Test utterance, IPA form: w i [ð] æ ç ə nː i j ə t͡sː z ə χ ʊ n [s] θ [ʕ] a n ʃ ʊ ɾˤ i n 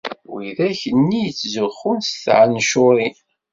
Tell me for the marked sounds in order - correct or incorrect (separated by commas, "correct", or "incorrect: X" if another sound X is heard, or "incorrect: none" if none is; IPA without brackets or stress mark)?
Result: correct, correct, correct